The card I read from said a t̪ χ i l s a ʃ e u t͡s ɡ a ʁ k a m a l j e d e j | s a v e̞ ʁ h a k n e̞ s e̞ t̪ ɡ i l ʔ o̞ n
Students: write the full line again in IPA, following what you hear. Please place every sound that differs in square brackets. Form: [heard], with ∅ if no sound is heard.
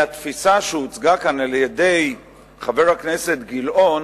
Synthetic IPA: a t̪ [f] i [∅] s a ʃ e u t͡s ɡ a [∅] k a [n] a l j e d e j | [χ] a v e̞ ʁ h a k n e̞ s e̞ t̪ ɡ i l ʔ o̞ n